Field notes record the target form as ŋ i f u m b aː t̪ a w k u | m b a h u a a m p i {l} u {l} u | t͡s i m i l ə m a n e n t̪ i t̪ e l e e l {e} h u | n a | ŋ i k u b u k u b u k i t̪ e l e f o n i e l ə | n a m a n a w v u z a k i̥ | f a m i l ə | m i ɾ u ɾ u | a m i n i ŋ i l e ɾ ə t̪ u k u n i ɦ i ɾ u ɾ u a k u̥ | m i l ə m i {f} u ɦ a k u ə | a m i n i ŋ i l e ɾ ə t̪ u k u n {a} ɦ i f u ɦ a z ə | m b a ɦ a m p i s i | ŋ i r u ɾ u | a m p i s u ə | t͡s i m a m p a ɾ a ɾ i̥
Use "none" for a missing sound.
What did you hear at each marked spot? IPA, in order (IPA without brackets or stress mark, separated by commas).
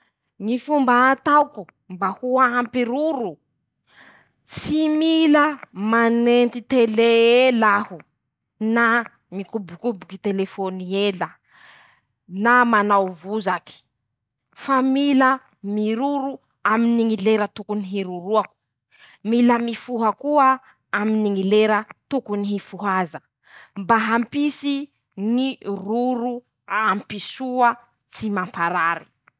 ɾ, ɾ, a, f, i